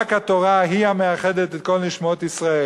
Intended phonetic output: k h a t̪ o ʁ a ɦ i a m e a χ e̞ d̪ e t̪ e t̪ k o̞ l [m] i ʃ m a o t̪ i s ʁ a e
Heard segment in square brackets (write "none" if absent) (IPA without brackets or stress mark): n